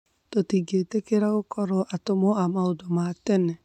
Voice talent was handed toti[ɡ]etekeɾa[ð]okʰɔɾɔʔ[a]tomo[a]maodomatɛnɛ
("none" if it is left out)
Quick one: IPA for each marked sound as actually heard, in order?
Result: ɡ, ɣ, a, a

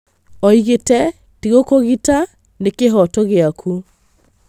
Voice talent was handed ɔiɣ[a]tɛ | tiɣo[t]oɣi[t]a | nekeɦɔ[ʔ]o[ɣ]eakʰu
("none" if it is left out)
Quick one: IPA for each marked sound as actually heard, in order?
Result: e, k, t, t, ɣ

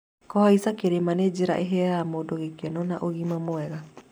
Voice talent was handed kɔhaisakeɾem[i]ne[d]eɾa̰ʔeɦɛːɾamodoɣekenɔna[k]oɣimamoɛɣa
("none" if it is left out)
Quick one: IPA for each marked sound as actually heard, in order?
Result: a, d͡ʒ, ʔ

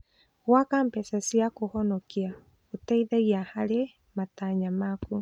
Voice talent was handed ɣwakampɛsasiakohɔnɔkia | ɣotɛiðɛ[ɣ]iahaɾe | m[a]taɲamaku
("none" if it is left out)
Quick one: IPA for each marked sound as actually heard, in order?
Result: ɣ, a

